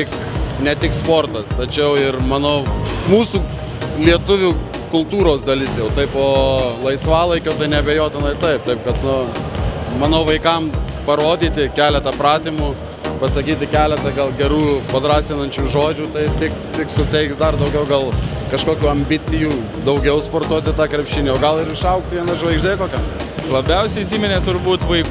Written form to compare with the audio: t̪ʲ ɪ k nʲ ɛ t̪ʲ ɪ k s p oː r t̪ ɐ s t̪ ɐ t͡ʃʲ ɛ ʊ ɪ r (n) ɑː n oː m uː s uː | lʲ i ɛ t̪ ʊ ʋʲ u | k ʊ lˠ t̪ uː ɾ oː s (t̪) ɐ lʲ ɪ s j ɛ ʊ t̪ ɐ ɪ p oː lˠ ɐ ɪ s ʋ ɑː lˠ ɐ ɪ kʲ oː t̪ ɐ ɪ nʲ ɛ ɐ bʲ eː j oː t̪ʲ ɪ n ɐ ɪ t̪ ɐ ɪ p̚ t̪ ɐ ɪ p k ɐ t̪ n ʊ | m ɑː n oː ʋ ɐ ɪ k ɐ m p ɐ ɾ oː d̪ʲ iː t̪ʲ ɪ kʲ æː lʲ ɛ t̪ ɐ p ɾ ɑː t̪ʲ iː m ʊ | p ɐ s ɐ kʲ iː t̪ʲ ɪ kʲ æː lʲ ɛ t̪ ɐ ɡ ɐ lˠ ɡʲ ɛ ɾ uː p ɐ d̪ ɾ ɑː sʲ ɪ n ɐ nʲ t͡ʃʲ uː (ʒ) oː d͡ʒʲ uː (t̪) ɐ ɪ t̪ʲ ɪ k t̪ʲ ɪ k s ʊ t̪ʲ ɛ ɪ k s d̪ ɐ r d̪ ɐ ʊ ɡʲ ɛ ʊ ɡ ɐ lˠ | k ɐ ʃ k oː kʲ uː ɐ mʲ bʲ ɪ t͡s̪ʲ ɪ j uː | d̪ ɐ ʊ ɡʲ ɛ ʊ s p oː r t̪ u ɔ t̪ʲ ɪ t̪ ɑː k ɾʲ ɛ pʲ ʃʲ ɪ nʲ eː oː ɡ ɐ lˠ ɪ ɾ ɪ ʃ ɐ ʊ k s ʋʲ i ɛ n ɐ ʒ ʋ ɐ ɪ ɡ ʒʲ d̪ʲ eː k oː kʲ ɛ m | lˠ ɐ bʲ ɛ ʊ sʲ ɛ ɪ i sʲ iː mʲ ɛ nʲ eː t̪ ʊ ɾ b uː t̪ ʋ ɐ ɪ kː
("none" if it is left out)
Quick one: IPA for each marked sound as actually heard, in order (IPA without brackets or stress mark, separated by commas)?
m, d̪, ʒ, t̪